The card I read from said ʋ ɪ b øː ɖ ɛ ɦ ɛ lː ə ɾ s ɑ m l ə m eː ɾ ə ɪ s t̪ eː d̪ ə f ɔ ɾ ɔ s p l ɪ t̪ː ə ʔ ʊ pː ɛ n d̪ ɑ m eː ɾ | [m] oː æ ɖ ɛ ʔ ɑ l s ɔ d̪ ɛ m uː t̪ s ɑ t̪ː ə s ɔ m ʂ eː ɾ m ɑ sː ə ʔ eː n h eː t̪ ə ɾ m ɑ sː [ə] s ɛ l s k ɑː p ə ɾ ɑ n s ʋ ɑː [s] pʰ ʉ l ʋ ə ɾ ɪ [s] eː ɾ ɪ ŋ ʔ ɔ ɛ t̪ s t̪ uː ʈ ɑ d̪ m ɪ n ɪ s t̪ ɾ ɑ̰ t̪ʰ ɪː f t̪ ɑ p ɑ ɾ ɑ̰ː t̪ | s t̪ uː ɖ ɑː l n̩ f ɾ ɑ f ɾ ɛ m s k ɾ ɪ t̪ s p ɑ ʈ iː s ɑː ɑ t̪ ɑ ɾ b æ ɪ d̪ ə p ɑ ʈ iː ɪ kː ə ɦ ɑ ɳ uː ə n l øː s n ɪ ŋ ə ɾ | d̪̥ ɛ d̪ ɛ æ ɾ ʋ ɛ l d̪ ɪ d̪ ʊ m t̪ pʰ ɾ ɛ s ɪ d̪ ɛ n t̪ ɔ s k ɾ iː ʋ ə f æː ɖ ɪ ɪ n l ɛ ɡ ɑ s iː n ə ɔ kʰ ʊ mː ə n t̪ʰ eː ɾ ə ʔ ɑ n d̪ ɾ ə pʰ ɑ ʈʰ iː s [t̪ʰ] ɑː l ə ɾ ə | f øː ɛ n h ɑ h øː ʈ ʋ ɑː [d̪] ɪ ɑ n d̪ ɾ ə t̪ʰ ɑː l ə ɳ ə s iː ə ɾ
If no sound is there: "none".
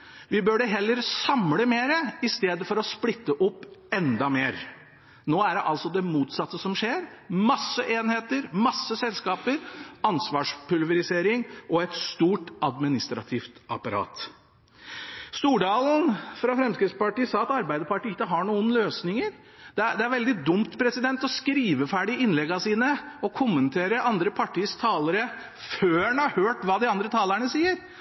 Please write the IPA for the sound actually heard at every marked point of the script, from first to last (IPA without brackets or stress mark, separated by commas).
n, ə, ʂ, s, t̪ʰ, d̪